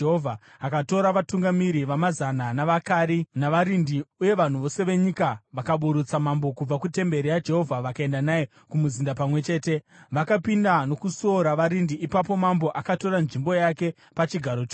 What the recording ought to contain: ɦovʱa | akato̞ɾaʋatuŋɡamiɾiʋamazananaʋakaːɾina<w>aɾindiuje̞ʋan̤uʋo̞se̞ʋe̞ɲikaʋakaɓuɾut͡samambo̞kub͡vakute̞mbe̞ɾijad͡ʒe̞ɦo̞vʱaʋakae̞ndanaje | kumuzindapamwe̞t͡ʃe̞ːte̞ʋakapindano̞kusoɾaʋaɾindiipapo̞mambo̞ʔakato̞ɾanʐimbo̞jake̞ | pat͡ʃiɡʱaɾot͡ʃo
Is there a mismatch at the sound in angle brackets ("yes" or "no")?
yes